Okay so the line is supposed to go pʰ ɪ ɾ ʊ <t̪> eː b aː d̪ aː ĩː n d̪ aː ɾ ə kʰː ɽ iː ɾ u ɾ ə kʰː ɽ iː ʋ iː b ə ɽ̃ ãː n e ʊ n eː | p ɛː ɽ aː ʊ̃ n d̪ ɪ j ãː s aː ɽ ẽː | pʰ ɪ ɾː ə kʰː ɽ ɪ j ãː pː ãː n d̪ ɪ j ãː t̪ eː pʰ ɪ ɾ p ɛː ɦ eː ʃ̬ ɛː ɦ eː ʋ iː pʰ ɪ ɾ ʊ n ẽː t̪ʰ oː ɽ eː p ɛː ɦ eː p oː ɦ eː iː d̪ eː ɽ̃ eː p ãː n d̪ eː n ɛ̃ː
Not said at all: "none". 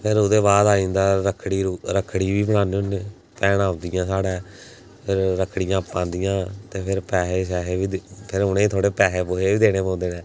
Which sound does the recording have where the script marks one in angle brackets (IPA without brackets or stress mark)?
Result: d̪